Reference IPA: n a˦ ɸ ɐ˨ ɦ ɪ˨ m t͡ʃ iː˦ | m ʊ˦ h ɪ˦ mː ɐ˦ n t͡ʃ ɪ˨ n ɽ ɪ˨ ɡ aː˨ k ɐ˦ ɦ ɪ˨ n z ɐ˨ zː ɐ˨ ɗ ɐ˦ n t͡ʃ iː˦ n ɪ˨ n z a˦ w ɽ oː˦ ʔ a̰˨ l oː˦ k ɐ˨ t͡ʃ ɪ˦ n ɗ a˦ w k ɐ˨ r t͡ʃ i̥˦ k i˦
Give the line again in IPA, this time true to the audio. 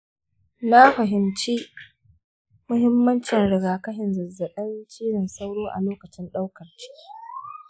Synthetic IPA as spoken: n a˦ ɸ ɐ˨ ɦ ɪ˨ m t͡ʃ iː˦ | m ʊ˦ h ɪ˦ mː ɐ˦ n t͡ʃ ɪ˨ n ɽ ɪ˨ ɡ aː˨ k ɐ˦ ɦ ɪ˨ n z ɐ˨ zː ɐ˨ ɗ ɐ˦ n t͡ʃ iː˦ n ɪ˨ n s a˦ w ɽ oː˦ ʔ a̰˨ l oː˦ k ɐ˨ t͡ʃ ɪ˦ n ɗ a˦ w k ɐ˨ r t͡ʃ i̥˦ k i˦